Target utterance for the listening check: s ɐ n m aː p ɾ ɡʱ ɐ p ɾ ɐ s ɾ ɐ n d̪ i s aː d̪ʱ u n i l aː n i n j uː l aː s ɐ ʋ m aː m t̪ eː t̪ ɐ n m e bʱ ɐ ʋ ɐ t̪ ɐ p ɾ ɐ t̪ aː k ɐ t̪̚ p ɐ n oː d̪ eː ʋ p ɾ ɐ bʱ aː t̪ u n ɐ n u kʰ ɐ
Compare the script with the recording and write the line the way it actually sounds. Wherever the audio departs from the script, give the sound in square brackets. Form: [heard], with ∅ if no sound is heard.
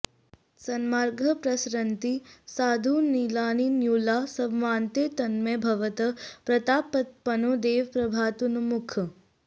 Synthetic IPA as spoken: s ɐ n m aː [∅] ɾ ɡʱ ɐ p ɾ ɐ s ɾ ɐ n [t̪] i s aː d̪ʱ u n i l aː n i n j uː l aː s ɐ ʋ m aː [n] t̪ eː t̪ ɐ n m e bʱ ɐ ʋ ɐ t̪ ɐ p ɾ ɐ t̪ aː [p] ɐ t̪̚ p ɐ n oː d̪ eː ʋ p ɾ ɐ bʱ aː t̪ u n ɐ [m] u kʰ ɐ